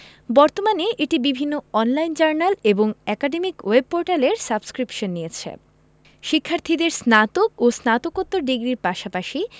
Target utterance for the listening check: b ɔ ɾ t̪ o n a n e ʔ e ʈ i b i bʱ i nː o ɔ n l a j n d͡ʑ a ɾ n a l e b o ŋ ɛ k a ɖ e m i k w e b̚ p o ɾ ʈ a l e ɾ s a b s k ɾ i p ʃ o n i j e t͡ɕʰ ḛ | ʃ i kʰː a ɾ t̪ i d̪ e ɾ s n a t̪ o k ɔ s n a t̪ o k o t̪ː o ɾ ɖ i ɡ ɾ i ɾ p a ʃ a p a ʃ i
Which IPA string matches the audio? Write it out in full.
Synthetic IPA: b ɔ ɾ t̪ o m a n e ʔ e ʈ i b i bʱ i nː o ɔ n l a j n d͡ʑ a ɾ n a l e b o ŋ ɛ k a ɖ e m i k w e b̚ p o ɾ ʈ a l e ɾ s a b s k ɾ i p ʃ o nː i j e t͡ɕʰ ḛ | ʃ i kʰː a ɾ t̪ʰ i d̪ e ɾ s n a t̪ o k o s n a t̪ o k o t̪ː o ɾ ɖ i ɡ ɾ i ɾ p a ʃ a p a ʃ i

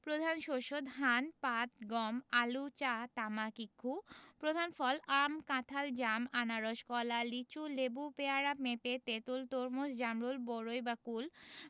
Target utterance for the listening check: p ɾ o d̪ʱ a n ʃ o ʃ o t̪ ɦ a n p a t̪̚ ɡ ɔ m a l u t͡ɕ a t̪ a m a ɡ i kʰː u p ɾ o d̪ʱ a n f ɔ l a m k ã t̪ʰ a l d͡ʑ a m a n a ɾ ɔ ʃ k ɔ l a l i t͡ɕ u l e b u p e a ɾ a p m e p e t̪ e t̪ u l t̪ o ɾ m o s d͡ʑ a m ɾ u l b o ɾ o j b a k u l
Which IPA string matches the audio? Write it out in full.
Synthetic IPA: p ɾ o d̪ʱ a n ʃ o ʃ o d̪ ɦ a n p a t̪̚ ɡ ɔ m a l u t͡ɕ a t̪ a m a k i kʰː u p ɾ o d̪ʱ a n f ɔ l a m k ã t̪ʰ a l d͡ʑ a m a n a ɾ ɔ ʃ k ɔ l a l i t͡ɕ u l e b u p e a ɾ a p m e p e t̪ e t̪ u l t̪ o ɾ m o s d͡ʑ a m ɾ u l b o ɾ o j b a k u l

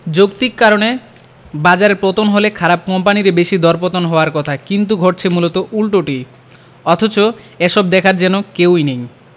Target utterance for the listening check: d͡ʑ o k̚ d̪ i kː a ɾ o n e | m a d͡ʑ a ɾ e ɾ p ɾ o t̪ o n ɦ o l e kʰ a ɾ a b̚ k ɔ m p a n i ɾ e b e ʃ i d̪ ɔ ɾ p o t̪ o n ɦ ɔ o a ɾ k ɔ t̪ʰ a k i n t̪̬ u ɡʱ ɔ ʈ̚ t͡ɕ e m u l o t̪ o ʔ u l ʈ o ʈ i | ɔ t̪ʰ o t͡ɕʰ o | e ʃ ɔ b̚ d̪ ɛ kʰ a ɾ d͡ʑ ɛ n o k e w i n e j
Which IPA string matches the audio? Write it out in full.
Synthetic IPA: d͡ʑ o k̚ t̪ i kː a ɾ o n e | b a d͡ʑ a ɾ e ɾ p ɾ o t̪ o n ɦ o l e kʰ a ɾ a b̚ k ɔ m p a n i ɾ e b e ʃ i d̪ ɔ ɾ p o t̪ o n ɦ ɔ o a ɾ k ɔ t̪ʰ a k i n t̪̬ u ɡʱ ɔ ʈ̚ t͡ɕʰ e m u l o t̪ o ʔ u l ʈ o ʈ i | ɔ t̪ʰ o t͡ɕ o | e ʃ ɔ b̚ d̪ ɛ kʰ a ɾ d͡ʑ ɛ n o k e w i n e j

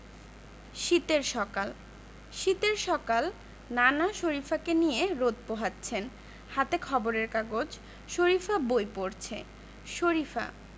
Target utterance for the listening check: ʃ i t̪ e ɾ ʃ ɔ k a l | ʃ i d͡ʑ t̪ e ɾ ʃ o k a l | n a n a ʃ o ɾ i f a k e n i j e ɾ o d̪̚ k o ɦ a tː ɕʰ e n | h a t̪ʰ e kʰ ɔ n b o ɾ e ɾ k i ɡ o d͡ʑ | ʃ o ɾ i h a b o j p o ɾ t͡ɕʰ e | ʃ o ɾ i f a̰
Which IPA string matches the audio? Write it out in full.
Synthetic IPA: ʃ i t̪ e ɾ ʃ ɔ k a l | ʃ i t̪ e ɾ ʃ ɔ k a l | n a n a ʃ o ɾ i f a k e n i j e ɾ o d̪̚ p o ɦ a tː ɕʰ e n | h a t̪ e kʰ ɔ b o ɾ e ɾ k a ɡ o d͡ʑ | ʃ o ɾ i f a b o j p o ɾ t͡ɕʰ e | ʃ o ɾ i f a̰

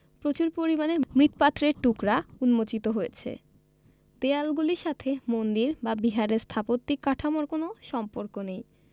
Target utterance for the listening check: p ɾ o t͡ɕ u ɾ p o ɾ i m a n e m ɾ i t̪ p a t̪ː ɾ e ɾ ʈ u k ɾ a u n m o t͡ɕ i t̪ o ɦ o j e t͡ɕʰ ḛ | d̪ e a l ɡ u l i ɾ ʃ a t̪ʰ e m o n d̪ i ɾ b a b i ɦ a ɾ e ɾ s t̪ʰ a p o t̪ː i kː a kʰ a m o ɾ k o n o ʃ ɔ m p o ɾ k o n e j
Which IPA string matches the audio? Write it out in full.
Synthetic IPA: p ɾ o t͡ɕ u ɾ p o ɾ i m a n e m ɾ i t̪ p a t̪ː ɾ e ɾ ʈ u k ɾ a u n m o t͡ɕ i t̪ o ɦ o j e t͡ɕʰ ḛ | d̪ e a l ɡ u l i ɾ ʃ a t̪ʰ e m o n d̪ i ɾ b a b i ɦ a ɾ e ɾ s t̪ʰ a p o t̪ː i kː a ʈʰ a m o ɾ k o n o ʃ ɔ m p o ɾ k o n e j

